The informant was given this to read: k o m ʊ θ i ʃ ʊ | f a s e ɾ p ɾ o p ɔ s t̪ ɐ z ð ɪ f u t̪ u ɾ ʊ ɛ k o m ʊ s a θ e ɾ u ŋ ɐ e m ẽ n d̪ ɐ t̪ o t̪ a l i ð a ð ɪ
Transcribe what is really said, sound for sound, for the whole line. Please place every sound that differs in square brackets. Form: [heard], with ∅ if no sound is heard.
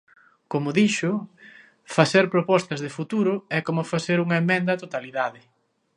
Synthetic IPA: k o m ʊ [ð] i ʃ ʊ | f a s e ɾ p ɾ o p ɔ s t̪ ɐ z ð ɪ f u t̪ u ɾ ʊ ɛ k o m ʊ [f] a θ e ɾ u ŋ ɐ e m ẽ n d̪ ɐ t̪ o t̪ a l i ð a ð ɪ